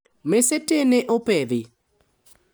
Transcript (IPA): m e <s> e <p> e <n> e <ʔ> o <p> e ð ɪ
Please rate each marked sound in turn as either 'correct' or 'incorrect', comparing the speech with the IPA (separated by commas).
correct, incorrect, correct, correct, correct